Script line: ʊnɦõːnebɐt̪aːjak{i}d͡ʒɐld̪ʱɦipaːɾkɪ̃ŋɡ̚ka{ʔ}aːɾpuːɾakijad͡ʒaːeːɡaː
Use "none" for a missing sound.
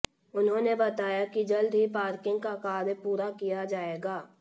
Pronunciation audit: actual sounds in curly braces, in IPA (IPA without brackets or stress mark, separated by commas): i, k